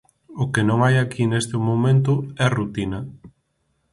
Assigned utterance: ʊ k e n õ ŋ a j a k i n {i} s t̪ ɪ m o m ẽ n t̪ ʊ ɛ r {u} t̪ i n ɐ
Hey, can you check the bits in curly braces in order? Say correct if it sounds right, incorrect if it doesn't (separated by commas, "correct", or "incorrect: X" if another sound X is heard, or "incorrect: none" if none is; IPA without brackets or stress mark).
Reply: incorrect: e, correct